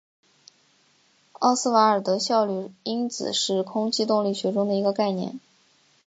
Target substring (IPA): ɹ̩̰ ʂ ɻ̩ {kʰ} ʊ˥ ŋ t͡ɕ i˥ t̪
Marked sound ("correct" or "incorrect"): correct